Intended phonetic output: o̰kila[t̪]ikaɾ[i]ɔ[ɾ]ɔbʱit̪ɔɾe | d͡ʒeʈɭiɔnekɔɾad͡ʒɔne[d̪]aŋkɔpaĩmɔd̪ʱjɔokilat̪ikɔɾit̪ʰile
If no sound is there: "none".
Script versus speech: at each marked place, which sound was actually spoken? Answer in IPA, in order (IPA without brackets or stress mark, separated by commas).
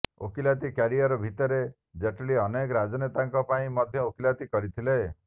t̪, i, ɾ, t̪